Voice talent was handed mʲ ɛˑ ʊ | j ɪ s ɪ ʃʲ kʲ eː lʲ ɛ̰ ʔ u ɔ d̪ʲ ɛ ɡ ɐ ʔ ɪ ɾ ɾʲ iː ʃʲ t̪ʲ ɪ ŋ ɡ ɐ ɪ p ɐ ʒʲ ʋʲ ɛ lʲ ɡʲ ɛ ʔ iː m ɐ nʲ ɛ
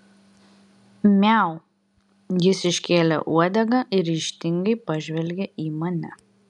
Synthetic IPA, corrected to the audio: mʲ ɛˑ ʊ | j ɪ s ɪ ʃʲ kʲ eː lʲ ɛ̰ ʔ u ɔ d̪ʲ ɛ ɡ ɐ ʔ ɪ ɾ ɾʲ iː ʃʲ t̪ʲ ɪ ŋ ɡ ɐ ɪ p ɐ ʒʲ ʋʲ ɛ lʲ ɡʲ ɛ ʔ iː m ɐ nʲ ɛ